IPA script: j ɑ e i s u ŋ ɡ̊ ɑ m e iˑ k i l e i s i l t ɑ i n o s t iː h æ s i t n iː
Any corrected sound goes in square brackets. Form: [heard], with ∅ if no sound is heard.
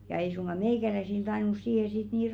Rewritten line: j ɑ e i s u ŋ ɡ̊ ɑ m e iˑ k [æ] l [æ] i s i l t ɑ i n [u] s [s] iː h [e] s i t n iː